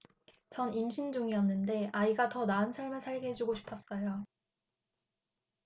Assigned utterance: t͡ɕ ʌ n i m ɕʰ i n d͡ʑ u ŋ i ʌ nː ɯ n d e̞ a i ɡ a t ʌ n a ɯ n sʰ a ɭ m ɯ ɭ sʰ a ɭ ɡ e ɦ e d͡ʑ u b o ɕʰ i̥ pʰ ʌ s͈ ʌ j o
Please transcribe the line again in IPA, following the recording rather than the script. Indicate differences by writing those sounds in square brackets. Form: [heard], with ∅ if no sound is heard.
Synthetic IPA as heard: t͡ɕ ʌ n i m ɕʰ i n d͡ʑ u ŋ i ʌ nː ɯ n d e̞ a i ɡ a t ʌ n a ɯ n sʰ a ɭ m ɯ ɭ sʰ a ɭ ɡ e ɦ e d͡ʑ u [ɡ] o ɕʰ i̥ pʰ ʌ s͈ ʌ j o